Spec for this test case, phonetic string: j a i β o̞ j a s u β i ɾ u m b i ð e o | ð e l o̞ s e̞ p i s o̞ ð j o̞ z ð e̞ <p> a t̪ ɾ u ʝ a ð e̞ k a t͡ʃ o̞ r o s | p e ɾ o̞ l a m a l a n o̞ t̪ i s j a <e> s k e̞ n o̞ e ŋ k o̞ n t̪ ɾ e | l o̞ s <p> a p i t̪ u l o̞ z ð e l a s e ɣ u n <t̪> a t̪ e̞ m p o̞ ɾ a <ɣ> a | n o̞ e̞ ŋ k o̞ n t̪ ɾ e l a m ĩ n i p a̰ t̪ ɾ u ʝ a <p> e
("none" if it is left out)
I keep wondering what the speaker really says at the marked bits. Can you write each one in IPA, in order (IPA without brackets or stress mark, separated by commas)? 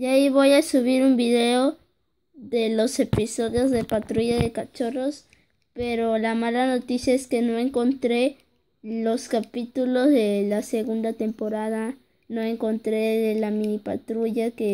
p, e, k, d̪, ð, k